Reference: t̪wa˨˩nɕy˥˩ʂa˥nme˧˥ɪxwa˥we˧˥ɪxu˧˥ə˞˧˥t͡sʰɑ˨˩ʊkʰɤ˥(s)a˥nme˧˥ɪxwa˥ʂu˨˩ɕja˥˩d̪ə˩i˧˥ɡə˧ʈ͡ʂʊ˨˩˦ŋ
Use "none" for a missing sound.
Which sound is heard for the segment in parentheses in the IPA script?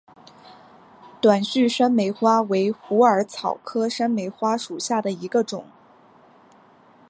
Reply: ʂ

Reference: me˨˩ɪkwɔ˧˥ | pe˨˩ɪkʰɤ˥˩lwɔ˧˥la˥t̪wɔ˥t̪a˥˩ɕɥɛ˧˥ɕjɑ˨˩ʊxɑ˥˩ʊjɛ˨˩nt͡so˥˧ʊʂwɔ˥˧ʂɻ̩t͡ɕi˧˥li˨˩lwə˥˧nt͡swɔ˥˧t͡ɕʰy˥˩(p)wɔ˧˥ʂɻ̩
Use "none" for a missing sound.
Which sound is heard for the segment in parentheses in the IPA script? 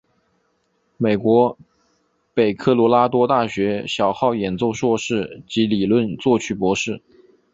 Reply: p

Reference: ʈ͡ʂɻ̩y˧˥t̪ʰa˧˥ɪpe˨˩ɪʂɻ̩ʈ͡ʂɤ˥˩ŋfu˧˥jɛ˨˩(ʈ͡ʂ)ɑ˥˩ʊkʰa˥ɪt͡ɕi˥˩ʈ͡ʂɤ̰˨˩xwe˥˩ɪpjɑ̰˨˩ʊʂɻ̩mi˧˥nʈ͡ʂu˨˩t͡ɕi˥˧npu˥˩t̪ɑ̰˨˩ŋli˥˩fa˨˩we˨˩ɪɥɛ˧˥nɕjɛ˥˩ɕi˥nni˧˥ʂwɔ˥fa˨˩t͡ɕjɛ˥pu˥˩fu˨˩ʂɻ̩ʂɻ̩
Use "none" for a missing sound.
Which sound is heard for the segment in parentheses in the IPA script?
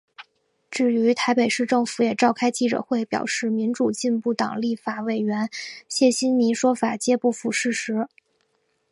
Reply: ʈ͡ʂ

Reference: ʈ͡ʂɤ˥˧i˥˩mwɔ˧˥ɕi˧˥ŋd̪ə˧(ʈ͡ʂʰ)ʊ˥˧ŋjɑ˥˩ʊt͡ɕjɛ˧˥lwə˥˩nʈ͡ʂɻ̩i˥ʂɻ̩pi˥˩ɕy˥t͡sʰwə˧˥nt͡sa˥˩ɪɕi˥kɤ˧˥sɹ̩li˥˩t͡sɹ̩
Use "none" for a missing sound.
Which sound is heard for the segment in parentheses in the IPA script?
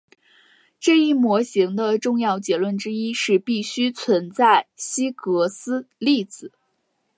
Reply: ʈ͡ʂ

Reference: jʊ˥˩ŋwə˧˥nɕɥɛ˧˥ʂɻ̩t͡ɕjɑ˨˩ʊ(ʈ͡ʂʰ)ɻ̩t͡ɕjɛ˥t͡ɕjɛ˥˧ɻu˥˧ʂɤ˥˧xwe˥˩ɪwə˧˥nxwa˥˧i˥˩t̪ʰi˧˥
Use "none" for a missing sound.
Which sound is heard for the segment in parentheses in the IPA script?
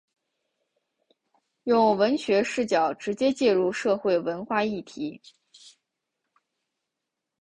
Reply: ʈ͡ʂ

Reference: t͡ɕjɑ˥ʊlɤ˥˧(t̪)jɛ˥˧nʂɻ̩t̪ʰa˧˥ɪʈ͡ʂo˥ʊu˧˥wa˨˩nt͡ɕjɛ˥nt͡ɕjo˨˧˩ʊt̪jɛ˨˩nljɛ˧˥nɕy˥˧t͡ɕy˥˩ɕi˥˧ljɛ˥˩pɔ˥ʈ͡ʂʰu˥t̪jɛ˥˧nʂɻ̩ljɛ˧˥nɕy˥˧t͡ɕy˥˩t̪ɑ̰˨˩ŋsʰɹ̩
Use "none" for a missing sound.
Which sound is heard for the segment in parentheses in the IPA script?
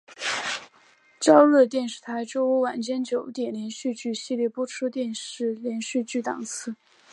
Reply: t̪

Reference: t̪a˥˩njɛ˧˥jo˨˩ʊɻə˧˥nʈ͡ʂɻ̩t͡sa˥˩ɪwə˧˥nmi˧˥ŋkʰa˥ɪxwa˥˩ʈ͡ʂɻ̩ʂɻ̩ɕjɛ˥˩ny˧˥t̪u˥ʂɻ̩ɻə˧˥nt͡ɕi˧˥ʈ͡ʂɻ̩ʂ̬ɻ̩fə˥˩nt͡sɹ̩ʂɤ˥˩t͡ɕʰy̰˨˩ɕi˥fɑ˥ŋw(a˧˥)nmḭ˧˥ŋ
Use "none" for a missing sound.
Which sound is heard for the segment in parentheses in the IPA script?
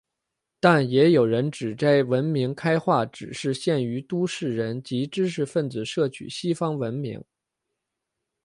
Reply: ə˧˥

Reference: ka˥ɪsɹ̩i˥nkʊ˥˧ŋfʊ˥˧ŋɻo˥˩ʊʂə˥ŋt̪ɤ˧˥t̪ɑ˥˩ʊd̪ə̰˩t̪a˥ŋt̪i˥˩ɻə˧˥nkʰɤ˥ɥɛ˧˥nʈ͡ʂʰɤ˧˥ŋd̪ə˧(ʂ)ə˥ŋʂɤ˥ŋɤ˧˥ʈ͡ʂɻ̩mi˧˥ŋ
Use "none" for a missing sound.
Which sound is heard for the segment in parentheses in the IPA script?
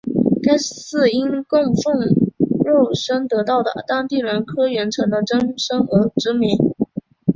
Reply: ʈ͡ʂ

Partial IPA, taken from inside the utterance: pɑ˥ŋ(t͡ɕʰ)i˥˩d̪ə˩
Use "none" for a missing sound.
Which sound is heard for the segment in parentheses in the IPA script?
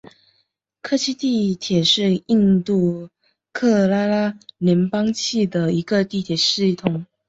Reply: t͡ɕʰ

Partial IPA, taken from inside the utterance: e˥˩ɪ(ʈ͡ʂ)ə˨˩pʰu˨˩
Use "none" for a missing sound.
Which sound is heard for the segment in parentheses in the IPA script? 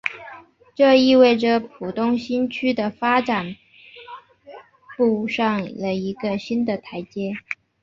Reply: ʈ͡ʂ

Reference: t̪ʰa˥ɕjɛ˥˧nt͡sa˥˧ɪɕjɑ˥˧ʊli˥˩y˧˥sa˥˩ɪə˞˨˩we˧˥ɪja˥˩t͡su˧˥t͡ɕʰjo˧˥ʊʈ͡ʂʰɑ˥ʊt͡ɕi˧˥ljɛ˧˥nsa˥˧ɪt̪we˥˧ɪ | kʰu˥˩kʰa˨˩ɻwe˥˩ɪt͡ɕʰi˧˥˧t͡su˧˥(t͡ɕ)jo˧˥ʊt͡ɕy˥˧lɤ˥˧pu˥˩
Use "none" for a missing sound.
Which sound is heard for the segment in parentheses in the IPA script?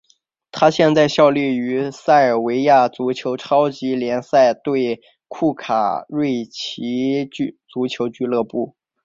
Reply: t͡ɕʰ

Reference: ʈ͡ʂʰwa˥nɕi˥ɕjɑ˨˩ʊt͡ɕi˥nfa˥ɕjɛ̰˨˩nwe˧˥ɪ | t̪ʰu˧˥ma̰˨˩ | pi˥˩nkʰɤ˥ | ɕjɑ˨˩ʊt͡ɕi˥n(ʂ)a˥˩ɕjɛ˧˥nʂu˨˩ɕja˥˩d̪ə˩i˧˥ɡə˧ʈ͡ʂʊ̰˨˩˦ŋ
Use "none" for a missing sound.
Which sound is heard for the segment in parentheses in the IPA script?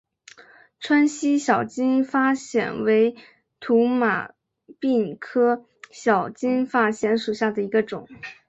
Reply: f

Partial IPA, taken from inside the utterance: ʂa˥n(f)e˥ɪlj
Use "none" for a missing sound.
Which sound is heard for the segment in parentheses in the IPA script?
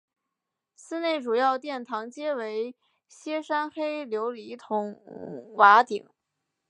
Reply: x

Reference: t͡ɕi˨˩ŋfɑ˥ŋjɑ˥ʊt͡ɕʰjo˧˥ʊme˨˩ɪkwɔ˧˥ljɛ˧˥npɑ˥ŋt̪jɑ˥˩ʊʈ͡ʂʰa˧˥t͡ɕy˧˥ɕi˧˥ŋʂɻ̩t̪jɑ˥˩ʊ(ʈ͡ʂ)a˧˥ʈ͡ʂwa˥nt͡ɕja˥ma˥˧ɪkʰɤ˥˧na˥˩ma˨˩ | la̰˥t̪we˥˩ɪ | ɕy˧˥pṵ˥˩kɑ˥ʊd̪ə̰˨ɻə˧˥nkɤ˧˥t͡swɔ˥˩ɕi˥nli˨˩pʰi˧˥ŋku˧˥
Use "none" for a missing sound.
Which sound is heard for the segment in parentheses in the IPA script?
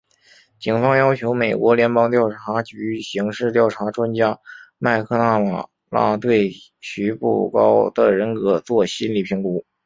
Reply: ʈ͡ʂʰ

